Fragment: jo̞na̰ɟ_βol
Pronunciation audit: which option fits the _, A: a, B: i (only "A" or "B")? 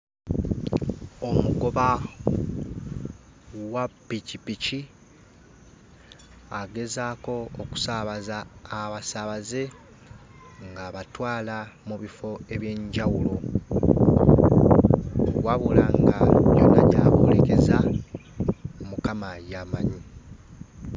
A